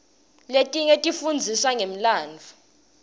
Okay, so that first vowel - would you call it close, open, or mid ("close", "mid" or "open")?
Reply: mid